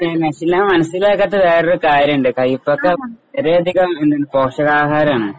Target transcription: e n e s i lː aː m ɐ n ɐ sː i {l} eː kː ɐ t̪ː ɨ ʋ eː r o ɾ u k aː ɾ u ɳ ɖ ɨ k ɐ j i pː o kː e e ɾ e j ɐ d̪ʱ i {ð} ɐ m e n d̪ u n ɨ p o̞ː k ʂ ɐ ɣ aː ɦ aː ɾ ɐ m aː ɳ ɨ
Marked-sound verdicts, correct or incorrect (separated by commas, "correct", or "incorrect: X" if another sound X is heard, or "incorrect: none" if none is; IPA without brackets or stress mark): correct, incorrect: ɣ